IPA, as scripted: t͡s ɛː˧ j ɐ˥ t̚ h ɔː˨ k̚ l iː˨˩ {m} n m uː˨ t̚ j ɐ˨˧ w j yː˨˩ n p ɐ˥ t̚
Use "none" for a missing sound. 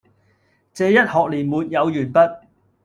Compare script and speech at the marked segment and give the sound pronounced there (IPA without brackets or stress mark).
none